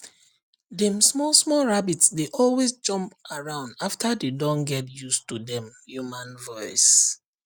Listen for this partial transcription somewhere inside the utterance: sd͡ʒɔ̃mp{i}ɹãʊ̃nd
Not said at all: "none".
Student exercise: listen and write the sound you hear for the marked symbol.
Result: a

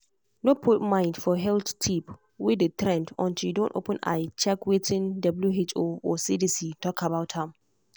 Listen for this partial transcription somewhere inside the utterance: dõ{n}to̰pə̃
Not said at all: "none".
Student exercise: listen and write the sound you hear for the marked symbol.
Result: n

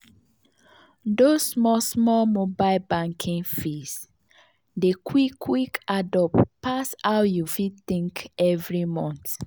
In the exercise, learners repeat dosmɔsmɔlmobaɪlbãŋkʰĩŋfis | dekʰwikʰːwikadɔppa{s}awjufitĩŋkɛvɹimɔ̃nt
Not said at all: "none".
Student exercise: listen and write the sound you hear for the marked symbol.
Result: s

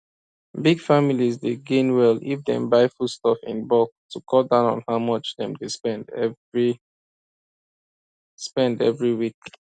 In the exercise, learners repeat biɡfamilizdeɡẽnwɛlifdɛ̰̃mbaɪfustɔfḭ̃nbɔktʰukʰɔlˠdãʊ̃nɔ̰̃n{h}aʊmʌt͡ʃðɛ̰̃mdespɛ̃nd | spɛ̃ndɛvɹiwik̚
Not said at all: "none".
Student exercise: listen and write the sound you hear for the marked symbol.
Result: h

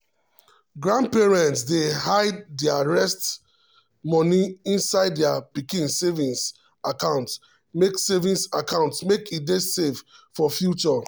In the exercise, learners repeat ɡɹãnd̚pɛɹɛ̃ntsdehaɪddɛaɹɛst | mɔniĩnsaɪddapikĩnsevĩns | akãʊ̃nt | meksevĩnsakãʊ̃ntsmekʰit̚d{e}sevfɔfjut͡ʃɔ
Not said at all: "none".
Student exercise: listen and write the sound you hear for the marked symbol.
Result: e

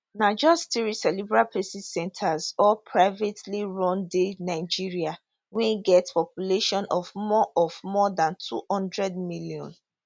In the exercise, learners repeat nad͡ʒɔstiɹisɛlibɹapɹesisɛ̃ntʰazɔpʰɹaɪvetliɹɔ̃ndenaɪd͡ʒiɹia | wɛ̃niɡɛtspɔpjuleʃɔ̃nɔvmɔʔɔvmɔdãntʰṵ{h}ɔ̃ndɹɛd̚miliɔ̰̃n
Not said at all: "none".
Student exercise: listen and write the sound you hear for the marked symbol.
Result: h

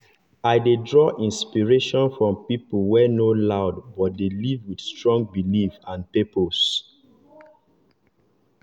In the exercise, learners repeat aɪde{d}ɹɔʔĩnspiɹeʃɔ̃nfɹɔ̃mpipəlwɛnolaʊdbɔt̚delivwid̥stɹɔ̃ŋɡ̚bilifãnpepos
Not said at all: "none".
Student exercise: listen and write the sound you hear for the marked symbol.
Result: d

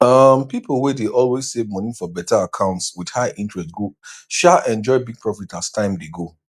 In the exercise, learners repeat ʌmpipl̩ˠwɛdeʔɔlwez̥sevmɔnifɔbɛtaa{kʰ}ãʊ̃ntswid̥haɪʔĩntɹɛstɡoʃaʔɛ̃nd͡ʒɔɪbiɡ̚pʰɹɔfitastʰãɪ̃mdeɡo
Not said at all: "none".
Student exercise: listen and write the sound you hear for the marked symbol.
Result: kʰ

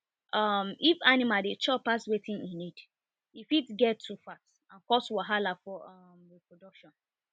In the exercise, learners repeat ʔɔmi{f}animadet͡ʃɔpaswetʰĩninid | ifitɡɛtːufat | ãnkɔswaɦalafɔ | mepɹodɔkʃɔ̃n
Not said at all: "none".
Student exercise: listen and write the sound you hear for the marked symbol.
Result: f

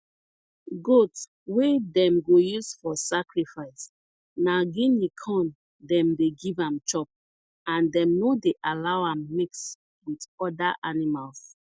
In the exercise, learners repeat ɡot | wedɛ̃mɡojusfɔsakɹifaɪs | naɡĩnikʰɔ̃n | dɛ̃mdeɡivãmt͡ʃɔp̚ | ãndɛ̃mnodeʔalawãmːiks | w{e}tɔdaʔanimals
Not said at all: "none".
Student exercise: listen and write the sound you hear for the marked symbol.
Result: i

